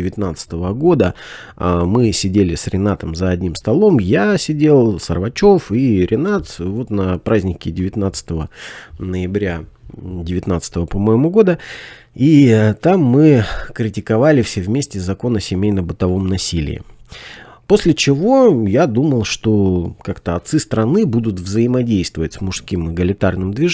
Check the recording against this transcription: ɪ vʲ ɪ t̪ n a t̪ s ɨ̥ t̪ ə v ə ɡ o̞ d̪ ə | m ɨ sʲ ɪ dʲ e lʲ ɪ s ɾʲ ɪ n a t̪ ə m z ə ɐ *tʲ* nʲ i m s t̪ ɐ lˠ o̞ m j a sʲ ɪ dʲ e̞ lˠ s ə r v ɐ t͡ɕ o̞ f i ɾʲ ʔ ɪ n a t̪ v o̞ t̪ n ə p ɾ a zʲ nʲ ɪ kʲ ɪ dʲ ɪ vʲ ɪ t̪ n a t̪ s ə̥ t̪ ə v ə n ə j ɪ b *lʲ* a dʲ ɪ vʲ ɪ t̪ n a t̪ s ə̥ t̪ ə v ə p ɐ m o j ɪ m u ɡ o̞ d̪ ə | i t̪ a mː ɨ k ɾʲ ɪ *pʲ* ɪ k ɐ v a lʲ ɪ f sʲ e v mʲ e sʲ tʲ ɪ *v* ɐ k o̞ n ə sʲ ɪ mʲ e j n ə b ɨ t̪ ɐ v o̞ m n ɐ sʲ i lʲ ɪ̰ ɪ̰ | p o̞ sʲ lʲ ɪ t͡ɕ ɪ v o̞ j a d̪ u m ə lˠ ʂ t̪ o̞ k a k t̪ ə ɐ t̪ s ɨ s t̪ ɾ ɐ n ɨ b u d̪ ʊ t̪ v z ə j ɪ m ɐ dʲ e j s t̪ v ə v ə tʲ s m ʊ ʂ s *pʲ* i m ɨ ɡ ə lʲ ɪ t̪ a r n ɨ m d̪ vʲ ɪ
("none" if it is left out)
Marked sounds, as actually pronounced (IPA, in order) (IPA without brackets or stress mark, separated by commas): dʲ, ɾʲ, tʲ, z, kʲ